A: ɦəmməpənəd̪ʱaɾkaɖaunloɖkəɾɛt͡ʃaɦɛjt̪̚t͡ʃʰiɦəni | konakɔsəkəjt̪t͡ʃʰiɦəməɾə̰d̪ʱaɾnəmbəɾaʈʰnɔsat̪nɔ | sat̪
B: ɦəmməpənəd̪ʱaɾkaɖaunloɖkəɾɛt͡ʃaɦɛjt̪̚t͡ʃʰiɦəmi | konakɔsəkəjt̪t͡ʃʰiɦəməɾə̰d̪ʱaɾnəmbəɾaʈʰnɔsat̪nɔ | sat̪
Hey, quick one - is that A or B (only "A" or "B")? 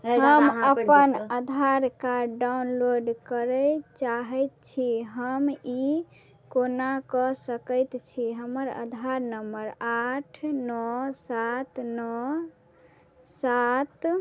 B